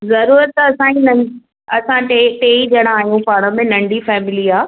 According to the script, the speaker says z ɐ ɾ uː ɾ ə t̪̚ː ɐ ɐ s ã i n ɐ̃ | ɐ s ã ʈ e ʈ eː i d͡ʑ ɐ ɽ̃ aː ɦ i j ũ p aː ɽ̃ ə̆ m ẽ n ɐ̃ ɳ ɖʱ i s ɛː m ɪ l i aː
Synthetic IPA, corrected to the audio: z ɐ ɾ uː ɾ ə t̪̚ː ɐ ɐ s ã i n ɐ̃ | ɐ s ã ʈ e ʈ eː i d͡ʑ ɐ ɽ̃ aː ɦ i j ũ p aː ɽ̃ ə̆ m ẽ n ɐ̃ ɳ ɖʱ i f ɛː m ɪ l i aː